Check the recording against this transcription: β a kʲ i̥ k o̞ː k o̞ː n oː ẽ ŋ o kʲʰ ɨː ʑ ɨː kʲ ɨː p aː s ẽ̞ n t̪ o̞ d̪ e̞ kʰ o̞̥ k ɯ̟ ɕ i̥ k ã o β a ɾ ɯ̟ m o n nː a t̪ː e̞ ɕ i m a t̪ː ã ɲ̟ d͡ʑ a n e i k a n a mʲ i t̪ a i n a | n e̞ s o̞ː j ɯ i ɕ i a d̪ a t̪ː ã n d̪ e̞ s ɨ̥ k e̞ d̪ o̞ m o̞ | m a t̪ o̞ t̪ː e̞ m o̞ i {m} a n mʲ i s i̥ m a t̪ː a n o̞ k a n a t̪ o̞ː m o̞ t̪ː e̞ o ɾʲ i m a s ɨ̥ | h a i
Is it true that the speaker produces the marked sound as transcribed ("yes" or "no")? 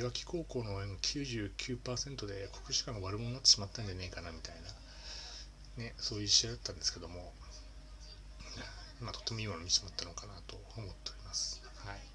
yes